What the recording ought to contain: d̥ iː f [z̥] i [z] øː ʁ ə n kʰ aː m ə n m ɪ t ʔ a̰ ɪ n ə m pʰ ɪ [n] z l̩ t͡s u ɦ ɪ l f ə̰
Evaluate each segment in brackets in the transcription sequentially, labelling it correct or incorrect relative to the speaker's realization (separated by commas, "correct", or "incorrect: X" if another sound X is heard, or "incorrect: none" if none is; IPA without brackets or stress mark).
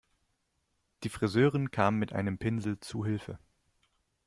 incorrect: ʁ̥, correct, correct